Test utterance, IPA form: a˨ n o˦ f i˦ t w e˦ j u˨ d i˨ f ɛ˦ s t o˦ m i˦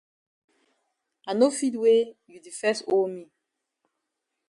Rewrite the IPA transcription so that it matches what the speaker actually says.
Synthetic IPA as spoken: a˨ n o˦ f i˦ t w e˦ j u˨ d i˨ f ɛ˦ s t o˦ m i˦